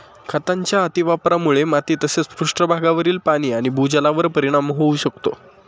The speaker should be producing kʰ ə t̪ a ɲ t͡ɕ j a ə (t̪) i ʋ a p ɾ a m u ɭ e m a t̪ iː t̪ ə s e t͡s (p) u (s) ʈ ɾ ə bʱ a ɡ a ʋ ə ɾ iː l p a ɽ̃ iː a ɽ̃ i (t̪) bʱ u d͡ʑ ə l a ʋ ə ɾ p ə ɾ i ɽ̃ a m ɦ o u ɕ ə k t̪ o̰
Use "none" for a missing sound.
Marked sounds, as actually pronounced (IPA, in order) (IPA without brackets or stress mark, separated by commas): t̪, p, ʂ, none